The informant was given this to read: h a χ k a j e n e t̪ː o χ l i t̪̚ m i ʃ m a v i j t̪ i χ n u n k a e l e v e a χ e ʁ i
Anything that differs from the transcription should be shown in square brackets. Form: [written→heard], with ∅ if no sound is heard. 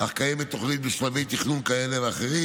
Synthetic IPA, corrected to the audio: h a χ k a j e [n→m] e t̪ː o χ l i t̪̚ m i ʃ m a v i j t̪ i χ n u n k a e l e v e a χ e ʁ i